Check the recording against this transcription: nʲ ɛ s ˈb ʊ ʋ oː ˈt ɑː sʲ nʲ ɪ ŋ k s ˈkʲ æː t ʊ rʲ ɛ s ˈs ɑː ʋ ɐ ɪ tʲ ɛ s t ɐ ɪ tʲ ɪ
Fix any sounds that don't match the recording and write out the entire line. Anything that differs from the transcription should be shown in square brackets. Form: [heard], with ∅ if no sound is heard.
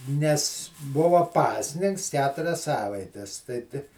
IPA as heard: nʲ ɛ s ˈb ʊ ʋ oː [ˈp] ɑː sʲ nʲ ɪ ŋ k s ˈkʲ æː t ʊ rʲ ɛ s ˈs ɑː ʋ ɐ ɪ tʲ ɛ s t ɐ ɪ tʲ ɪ